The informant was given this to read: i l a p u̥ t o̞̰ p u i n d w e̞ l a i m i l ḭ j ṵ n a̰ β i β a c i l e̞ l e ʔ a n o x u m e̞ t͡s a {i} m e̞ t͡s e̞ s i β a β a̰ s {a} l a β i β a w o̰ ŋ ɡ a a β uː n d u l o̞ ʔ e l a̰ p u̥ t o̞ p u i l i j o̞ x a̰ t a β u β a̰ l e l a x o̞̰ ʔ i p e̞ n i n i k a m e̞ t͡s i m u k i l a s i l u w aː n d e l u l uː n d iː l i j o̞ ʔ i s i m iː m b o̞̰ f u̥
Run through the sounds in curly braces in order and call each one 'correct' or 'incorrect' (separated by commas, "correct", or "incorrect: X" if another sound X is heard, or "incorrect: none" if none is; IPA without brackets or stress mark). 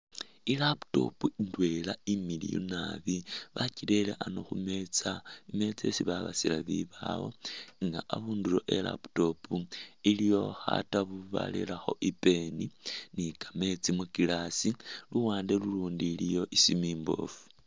correct, incorrect: i